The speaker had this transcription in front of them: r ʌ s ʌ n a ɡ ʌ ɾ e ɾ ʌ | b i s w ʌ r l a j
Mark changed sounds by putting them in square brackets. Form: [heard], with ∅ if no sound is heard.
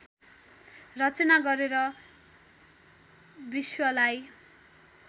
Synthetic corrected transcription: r ʌ [t͡s] ʌ n a ɡ ʌ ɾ e ɾ ʌ | b i s w ʌ [∅] l a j